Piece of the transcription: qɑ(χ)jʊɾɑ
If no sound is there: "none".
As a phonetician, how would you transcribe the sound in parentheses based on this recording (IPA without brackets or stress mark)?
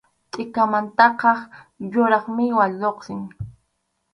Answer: χ